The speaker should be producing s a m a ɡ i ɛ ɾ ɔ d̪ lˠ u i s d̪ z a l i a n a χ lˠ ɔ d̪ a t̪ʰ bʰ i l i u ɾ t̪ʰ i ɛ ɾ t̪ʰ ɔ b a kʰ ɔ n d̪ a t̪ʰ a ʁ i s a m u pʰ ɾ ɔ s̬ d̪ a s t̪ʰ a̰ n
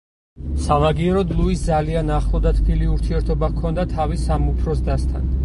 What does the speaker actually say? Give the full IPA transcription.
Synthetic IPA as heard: s a m a ɡ i ɛ ɾ ɔ d̪ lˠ u i s d̪ z a l i a n a χ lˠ ɔ d̪ a t̪ʰ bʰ i l i u ɾ t̪ʰ i ɛ ɾ t̪ʰ ɔ b a kʰ ɔ n d̪ a t̪ʰ a v i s a m u pʰ ɾ ɔ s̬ d̪ a s t̪ʰ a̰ n